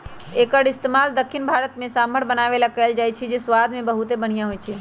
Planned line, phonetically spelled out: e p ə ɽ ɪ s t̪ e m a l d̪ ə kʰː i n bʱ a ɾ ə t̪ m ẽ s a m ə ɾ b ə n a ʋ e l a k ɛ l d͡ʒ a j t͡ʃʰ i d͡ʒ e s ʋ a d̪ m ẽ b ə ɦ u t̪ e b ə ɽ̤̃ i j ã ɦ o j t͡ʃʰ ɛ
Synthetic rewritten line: e k ə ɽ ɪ s t̪ e m a l d̪ ə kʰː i n bʱ a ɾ ə t̪ m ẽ s a m ə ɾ b ə n a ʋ e l a k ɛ l d͡ʒ a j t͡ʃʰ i d͡ʒ e s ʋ a d̪ m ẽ b ə ɦ u t̪ e b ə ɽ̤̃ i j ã ɦ o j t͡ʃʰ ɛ

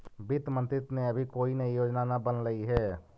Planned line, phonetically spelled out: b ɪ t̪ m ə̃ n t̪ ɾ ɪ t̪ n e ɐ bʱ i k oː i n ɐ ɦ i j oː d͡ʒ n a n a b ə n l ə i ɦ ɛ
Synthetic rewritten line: b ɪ t̪ m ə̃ n t̪ ɾ ɪ t̪ n e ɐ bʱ i k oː i n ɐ ɦ i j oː d͡ʒ n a n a b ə n l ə i ɦ ɛː

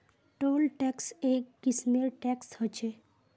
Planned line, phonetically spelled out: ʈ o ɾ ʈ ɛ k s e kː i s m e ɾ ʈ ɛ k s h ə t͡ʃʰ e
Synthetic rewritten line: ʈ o l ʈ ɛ k s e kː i s m e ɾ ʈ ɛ k s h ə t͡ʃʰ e

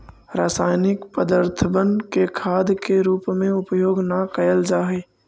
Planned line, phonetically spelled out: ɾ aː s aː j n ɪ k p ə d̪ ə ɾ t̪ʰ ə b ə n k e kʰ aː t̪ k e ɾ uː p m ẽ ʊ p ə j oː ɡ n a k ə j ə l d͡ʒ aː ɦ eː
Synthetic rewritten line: ɾ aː s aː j n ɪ k p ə d̪ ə ɾ t̪ʰ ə b ə n k e kʰ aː d̪ k e ɾ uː p m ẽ ʊ p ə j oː ɡ n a k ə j ə l d͡ʒ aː ɦ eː

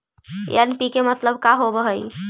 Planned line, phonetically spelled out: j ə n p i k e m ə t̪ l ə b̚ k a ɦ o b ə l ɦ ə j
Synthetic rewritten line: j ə n p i k e m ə t̪ l ə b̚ k a ɦ o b ə ɦ ə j

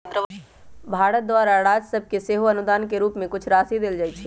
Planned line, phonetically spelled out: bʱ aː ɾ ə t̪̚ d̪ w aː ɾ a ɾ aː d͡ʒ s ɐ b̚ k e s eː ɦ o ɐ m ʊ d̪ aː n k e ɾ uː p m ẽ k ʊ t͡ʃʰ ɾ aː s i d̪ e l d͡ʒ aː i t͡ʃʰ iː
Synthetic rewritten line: bʱ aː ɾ ə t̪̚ d̪ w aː ɾ a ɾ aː d͡ʒ s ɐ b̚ k e s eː ɦ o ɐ n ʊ d̪ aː n k e ɾ uː p m ẽ k ʊ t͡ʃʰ ɾ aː s i d̪ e l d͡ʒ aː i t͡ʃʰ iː

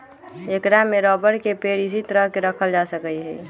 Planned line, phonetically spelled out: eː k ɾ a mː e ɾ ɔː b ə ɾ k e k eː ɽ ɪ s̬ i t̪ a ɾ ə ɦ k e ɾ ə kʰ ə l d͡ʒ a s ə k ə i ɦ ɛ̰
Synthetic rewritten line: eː k ɾ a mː e ɾ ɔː b ə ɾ k e p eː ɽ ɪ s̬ i t̪ ə ɾ ə ɦ k e ɾ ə kʰ ə l d͡ʒ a s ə k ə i ɦ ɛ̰

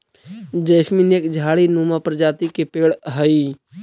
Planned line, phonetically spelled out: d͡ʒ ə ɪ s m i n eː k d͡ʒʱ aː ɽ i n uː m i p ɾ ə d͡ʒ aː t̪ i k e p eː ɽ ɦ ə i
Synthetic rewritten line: d͡ʒ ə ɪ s m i n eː k d͡ʒʱ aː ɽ i n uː m a p ɾ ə d͡ʒ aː t̪ i k e p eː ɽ ɦ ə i

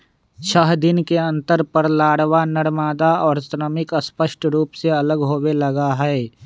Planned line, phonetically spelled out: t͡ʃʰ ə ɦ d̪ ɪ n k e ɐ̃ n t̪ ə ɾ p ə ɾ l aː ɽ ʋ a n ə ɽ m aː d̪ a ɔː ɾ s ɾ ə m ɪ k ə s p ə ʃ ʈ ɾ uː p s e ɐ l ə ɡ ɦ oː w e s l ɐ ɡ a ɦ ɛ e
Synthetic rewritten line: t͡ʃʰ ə ɦ d̪ ɪ n k e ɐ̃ n t̪ ə ɾ p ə ɾ l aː ɽ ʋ a n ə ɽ m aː d̪ a ɔː ɾ s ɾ ə m ɪ k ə s p ə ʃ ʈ ɾ uː p s e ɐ l ə ɡ ɦ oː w e l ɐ ɡ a ɦ ɛ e

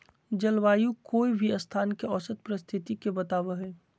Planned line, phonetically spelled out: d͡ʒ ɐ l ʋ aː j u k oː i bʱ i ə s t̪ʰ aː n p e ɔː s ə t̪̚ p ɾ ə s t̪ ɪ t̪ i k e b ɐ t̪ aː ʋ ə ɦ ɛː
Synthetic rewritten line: d͡ʒ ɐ l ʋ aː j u k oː i bʱ i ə s t̪ʰ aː n k e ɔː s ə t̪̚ p ɾ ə s t̪ʰ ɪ t̪ i k e b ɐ t̪ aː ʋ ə ɦ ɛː

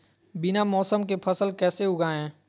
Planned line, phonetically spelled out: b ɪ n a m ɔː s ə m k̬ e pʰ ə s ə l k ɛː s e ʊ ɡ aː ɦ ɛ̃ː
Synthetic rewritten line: b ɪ n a m ɔː s ə m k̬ e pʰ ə s ə l k ɛː s e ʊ ɡ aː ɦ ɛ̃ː

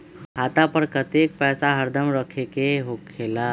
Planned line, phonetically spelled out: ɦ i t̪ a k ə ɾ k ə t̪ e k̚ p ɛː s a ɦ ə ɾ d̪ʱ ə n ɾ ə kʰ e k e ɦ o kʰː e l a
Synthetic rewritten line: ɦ a t̪ a p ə ɾ k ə t̪ e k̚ p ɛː s a ɦ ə ɾ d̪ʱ ə m ɾ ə kʰ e k e ɦ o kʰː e l a

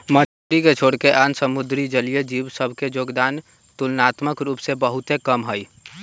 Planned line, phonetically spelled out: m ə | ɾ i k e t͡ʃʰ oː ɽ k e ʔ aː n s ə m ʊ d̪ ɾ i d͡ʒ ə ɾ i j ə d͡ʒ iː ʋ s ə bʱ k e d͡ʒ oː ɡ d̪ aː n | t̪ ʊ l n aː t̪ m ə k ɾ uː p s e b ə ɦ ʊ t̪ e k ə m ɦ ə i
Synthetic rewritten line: m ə | ɾ i k e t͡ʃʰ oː ɽ k e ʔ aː n s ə m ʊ d̪ ɾ i d͡ʒ ə l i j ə d͡ʒ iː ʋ s ə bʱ k e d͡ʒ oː ɡ d̪ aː n | t̪ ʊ l n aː t̪ m ə k ɾ uː p s e b ə ɦ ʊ t̪ e k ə m ɦ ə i

